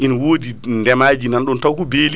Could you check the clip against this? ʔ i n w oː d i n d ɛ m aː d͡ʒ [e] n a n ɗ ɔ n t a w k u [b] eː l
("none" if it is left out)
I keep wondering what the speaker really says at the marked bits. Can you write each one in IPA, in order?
i, b

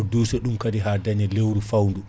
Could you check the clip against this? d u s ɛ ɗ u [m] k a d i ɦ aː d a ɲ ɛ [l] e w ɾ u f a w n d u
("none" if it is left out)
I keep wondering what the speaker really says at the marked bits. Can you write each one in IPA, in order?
m, l

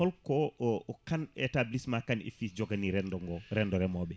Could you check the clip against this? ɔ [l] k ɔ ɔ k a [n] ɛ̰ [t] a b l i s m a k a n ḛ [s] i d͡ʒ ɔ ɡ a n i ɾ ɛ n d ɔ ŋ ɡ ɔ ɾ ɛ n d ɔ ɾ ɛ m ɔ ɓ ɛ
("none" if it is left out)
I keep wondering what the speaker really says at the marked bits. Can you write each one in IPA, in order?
l, n, t, f

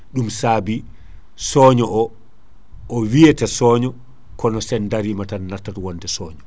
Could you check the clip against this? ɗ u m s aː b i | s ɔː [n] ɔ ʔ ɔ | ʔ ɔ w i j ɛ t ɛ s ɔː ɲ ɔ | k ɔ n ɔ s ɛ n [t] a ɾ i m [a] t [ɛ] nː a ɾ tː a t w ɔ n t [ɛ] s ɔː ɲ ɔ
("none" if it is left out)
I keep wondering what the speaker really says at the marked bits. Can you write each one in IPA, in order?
ɲ, d, a, a, ɛ

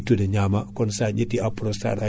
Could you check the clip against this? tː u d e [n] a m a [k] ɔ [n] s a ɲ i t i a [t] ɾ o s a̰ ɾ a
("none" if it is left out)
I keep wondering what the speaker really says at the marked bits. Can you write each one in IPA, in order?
ɲ, k, n, p

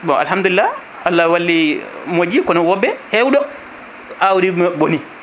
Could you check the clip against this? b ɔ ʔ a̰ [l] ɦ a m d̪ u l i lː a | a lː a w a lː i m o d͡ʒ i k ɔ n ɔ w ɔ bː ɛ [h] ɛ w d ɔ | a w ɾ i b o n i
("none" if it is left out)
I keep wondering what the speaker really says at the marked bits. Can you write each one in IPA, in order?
l, h

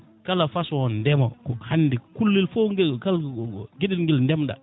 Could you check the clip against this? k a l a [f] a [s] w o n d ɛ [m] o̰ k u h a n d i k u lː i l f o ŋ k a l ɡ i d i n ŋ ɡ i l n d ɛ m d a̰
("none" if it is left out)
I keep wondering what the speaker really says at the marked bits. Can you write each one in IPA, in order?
f, s, m

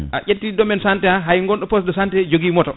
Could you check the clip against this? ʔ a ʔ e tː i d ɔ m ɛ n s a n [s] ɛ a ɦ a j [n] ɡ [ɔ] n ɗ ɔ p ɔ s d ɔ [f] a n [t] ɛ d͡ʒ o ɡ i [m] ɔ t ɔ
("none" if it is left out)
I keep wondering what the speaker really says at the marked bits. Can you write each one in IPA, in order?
t, ŋ, ɔ, s, t, m

